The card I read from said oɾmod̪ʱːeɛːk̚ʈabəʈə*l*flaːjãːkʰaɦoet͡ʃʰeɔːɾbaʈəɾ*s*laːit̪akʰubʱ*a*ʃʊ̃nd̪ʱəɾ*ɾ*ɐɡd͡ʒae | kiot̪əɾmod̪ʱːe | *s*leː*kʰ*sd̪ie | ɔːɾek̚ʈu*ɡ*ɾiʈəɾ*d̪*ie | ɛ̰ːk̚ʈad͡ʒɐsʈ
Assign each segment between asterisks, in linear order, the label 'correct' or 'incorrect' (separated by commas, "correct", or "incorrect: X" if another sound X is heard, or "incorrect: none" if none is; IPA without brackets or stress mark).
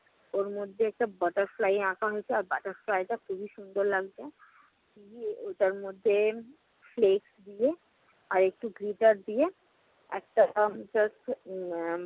incorrect: ɾ, incorrect: f, incorrect: i, incorrect: l, incorrect: f, incorrect: k, correct, correct